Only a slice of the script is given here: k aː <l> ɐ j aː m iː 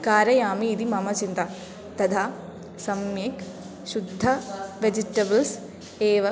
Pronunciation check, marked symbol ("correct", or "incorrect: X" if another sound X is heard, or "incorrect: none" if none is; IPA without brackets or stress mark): incorrect: ɾ